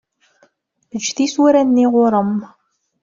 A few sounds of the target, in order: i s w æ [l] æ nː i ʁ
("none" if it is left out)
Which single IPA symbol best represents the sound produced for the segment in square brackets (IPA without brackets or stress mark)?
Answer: ɾ